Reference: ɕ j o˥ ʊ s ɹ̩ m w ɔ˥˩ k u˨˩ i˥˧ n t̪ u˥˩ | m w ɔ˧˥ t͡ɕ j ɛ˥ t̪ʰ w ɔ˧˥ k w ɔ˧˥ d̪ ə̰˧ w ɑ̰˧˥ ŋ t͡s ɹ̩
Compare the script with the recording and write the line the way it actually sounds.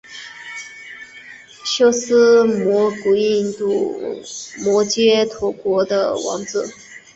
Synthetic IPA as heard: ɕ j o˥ ʊ s ɹ̩ m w ɔ˧˥ k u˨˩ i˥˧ n t̪ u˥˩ | m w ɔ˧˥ t͡ɕ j ɛ˥ t̪ʰ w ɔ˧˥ k w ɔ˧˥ d̪ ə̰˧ w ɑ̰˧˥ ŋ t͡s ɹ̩